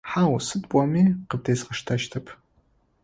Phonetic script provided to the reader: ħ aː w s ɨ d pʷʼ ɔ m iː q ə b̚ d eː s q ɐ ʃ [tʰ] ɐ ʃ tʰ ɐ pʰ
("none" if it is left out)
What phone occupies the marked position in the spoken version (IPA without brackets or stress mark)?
tʰ